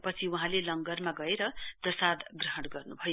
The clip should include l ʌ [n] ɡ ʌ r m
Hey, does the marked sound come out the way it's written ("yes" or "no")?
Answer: no